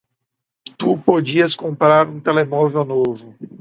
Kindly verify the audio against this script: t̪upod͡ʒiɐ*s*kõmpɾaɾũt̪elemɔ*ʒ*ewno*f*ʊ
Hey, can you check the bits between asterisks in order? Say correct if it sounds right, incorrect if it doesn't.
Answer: correct, incorrect, incorrect

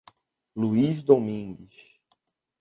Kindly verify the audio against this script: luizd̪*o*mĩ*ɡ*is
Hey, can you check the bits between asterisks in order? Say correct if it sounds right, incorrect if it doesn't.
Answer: correct, correct

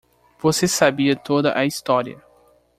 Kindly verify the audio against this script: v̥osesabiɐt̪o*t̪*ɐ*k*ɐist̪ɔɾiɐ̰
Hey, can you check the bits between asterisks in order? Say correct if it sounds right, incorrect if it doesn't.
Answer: incorrect, incorrect

